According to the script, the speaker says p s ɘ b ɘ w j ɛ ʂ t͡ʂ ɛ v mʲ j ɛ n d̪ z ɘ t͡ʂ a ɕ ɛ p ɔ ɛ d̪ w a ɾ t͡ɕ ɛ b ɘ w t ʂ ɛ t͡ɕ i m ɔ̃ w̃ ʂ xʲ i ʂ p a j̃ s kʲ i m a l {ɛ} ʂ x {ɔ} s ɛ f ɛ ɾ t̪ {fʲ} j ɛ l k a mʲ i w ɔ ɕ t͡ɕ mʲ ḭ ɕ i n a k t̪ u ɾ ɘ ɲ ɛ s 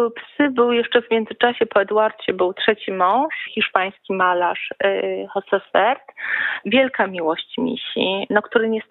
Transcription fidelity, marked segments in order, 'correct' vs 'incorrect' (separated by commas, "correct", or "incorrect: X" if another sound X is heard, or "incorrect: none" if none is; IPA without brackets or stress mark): incorrect: a, correct, incorrect: vʲ